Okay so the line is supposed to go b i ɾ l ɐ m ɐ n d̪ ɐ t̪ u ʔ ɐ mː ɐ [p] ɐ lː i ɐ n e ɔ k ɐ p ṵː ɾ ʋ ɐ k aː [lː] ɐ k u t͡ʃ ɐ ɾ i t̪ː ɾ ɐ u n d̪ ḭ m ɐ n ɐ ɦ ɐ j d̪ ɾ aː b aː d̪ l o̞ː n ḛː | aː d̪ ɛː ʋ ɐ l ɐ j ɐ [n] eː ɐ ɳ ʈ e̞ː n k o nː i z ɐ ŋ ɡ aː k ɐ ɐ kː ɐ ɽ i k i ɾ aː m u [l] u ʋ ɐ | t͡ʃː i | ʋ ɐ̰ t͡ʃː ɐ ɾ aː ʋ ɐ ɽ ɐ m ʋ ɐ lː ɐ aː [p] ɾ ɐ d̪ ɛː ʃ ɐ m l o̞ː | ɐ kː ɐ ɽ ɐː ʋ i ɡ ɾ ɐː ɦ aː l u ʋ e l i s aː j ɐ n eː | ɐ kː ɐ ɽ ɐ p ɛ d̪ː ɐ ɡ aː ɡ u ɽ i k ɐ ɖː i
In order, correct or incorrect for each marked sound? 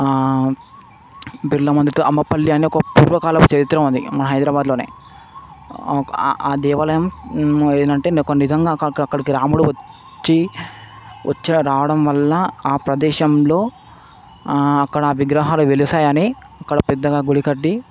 correct, incorrect: l, incorrect: m, incorrect: ɽ, correct

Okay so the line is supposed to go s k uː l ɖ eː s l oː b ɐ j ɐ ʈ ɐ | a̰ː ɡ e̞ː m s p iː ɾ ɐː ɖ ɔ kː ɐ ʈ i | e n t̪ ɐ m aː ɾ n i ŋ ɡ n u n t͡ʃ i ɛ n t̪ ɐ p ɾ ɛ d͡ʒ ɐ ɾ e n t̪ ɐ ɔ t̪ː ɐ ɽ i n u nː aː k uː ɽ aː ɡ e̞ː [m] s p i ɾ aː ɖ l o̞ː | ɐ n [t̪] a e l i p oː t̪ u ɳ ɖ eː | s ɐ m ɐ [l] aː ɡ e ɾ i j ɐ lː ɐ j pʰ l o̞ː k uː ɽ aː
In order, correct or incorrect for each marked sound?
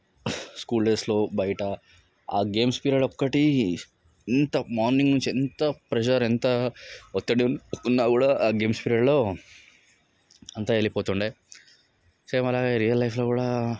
correct, correct, correct

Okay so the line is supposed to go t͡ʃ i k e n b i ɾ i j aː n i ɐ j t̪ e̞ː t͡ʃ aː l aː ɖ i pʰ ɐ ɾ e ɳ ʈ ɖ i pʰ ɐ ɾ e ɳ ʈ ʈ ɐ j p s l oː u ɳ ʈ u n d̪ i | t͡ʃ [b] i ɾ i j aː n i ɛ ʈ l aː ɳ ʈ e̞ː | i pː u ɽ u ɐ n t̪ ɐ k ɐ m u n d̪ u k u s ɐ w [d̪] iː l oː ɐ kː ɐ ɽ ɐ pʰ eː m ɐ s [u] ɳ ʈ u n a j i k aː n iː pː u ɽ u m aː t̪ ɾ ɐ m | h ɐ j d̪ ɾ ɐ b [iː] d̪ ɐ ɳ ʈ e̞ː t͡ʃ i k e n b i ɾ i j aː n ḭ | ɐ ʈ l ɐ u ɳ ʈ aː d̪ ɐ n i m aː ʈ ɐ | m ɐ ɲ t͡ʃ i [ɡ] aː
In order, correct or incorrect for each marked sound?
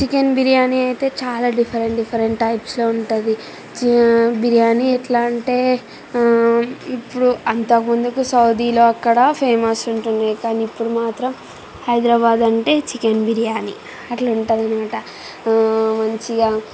correct, correct, correct, incorrect: aː, correct

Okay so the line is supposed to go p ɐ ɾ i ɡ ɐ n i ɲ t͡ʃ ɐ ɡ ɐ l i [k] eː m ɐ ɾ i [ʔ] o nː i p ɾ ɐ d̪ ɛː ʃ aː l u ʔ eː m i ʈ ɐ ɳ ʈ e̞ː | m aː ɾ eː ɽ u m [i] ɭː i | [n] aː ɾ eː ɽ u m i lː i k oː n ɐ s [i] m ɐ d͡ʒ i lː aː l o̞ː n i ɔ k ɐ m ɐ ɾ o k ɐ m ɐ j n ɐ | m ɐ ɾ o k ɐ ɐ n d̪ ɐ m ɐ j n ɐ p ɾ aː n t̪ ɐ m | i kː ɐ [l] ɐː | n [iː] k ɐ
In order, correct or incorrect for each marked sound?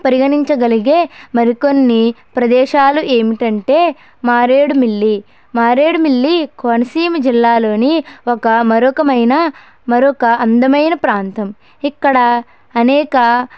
incorrect: ɡ, incorrect: k, correct, incorrect: m, incorrect: iː, incorrect: ɽ, incorrect: ɛː

